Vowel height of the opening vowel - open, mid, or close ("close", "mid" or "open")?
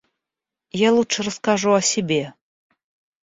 open